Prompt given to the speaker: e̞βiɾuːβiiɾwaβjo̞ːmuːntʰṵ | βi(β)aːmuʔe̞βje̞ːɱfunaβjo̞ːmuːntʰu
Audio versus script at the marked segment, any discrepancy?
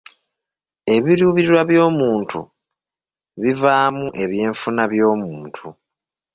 yes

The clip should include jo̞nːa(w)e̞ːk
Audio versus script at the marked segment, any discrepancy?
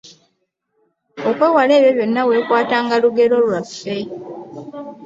no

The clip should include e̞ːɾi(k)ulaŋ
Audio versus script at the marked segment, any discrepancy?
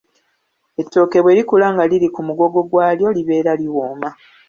no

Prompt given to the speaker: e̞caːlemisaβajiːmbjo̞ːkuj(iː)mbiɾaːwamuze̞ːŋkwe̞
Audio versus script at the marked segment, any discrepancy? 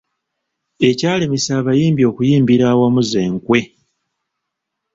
no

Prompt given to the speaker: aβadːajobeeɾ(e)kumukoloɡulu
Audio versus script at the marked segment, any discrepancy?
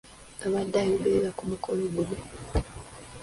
yes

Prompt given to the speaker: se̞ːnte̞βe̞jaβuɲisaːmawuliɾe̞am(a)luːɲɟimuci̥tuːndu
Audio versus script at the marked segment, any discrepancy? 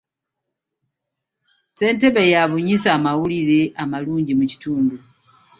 no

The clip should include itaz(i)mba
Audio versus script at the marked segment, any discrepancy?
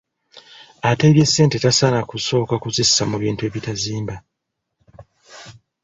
yes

